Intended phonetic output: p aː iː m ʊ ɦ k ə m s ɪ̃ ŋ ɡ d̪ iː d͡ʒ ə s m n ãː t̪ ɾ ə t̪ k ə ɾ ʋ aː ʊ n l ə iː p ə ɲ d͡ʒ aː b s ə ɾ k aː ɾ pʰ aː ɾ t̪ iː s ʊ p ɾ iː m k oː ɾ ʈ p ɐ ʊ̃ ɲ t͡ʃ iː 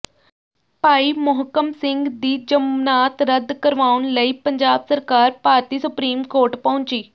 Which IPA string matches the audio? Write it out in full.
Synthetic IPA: p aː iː m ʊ ɦ k ə m s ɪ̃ ŋ ɡ d̪ iː d͡ʒ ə m n aː t̪ ɾ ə d̪ k ə ɾ ʋ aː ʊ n l ə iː p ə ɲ d͡ʒ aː b s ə ɾ k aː ɾ p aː ɾ t̪ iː s ʊ p ɾ iː m k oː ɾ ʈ p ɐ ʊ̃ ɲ t͡ʃ iː